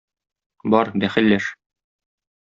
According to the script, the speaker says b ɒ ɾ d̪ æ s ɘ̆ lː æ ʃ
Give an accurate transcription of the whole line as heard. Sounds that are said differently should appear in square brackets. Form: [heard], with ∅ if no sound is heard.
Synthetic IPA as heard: b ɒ ɾ d̪ æ [χ] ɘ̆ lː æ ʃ